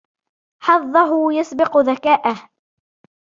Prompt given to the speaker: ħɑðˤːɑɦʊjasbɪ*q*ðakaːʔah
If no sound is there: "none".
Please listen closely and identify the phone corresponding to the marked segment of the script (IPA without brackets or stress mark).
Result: q